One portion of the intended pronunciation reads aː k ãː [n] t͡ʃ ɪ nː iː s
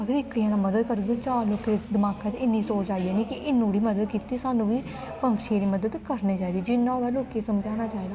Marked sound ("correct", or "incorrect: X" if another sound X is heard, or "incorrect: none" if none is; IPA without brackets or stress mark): incorrect: none